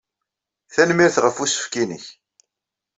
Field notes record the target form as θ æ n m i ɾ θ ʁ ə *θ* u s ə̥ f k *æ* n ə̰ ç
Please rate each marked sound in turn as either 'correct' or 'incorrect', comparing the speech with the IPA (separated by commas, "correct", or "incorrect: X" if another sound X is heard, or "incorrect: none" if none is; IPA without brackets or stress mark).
incorrect: f, incorrect: i